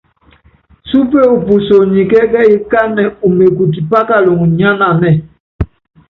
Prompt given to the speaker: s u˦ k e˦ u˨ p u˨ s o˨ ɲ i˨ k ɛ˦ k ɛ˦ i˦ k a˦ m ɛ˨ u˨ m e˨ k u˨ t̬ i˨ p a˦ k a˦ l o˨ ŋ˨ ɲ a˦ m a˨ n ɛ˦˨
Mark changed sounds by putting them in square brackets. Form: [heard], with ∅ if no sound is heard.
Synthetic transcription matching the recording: s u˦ [p] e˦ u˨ p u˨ s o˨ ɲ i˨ k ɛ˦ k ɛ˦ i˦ k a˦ [n] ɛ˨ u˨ m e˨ k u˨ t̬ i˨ p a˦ k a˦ l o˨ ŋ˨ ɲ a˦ [n] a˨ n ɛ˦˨

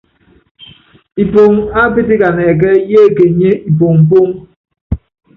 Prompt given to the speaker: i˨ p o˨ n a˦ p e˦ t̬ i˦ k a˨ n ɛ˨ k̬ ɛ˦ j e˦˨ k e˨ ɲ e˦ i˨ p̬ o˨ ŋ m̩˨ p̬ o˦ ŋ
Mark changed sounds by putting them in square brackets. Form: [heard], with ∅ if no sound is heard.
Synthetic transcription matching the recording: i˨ p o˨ [ŋ] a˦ p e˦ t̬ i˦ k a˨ n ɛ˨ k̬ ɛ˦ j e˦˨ k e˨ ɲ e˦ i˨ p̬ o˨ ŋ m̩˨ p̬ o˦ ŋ

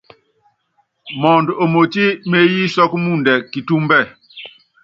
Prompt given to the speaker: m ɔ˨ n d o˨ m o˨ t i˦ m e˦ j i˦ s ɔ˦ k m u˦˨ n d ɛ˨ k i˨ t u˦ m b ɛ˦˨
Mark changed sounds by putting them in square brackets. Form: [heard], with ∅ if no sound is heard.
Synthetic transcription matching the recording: m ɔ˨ n d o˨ m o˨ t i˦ m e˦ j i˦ s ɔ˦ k m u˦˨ n d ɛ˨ k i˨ t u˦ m b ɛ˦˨

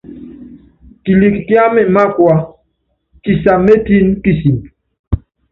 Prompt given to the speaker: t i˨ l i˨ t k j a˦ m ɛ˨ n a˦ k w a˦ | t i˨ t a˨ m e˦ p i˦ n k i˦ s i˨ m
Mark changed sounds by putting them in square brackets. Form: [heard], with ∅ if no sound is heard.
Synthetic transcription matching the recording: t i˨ l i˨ [k] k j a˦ m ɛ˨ [m] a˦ k w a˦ | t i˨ [s] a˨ m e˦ [t] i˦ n k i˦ s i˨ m

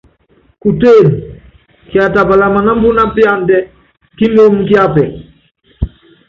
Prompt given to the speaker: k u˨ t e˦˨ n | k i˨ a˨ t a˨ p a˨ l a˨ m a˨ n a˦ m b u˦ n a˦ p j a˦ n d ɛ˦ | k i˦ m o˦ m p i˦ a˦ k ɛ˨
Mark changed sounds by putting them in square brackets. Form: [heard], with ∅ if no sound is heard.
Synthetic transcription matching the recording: k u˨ t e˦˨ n | k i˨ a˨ t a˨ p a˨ l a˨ m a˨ n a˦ m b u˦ n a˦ p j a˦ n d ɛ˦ | k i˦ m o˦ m [k] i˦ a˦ [p] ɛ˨

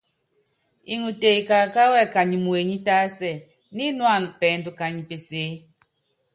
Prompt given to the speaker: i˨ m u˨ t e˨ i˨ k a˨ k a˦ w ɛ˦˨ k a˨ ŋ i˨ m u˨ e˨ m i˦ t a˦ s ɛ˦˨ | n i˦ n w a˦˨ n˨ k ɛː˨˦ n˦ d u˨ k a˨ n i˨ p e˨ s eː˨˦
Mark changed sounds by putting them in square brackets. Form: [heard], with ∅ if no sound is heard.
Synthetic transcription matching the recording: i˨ [ŋ] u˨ t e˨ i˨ k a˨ k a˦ w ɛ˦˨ k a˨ [ɲ] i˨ m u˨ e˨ [ɲ] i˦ t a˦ s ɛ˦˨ | n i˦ n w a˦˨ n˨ [p] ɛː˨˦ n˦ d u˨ k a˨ [ɲ] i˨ p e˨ s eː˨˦

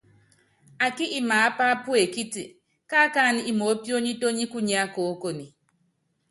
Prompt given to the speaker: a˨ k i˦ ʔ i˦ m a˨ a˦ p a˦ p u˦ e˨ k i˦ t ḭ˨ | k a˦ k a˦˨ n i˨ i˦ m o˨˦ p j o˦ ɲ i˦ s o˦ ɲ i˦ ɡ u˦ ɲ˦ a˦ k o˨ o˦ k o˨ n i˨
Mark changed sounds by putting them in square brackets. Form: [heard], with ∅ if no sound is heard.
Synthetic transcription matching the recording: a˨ k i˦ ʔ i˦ m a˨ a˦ p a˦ p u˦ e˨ k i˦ t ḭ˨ | k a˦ k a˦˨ n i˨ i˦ m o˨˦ p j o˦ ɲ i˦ [t] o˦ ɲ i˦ [k] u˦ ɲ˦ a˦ k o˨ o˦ k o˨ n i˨

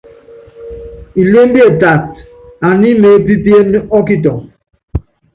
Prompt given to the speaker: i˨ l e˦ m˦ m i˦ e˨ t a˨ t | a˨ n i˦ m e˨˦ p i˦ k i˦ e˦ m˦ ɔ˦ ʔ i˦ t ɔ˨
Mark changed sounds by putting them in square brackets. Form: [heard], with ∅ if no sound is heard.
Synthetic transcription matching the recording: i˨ l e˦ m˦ [b] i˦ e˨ t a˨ t | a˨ n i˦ m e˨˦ p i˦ [p] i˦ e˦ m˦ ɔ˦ [k] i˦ t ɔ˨

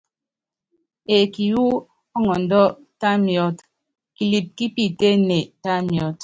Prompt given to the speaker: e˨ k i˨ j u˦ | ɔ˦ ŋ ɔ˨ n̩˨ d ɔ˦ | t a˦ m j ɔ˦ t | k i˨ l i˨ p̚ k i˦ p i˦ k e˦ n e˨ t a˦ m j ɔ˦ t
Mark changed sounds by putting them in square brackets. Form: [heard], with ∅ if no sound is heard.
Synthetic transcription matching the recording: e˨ k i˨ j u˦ | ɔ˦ ŋ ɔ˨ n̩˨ d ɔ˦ | t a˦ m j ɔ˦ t | k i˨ l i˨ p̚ k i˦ p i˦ [t] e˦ n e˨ t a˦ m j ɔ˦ t

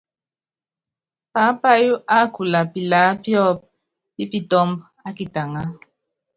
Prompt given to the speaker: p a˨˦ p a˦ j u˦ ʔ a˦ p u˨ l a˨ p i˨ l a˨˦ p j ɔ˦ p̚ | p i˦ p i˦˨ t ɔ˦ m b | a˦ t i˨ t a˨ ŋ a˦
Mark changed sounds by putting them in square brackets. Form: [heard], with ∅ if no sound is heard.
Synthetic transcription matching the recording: p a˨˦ p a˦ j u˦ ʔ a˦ [k] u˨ l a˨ p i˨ l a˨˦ p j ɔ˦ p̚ | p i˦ p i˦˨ t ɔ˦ m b | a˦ [k] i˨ t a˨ ŋ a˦

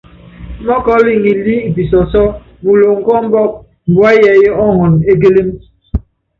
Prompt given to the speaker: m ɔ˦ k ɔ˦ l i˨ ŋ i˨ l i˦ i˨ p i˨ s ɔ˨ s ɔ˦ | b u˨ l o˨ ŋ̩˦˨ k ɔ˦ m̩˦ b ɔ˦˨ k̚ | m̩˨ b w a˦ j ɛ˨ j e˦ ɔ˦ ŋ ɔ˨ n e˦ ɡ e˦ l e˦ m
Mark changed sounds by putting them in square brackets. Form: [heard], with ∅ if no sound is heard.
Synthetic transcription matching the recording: m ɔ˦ k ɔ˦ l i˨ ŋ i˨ l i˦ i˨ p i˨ s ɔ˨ s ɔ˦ | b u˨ l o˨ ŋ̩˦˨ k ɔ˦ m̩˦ b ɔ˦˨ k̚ | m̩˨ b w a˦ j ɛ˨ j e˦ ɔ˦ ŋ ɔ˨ n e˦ ɡ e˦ l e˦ m

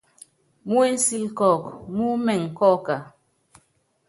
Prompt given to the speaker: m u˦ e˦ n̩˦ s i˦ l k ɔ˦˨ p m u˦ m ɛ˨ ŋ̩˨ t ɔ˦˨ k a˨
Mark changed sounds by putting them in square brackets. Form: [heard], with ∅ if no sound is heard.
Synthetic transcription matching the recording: m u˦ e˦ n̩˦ s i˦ l k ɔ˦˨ [k] m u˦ m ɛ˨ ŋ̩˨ [k] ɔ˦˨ k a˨

